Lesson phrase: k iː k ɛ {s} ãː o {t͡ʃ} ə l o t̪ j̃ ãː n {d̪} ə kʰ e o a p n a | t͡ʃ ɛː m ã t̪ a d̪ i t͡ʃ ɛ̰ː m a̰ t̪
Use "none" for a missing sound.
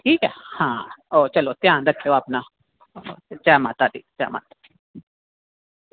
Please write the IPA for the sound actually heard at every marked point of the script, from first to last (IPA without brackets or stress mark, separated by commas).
h, t͡ʃ, d̪